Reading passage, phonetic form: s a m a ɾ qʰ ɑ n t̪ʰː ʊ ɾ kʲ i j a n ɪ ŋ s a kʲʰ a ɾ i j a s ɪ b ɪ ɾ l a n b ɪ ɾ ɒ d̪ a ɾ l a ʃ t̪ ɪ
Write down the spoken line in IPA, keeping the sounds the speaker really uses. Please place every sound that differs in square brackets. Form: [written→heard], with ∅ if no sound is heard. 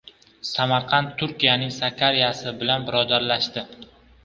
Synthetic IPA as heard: s a m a ɾ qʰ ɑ n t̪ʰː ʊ ɾ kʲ i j a n ɪ ŋ s a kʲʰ a ɾ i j a s ɪ b ɪ [ɾ→∅] l a n b ɪ ɾ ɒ d̪ a ɾ l a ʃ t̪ ɪ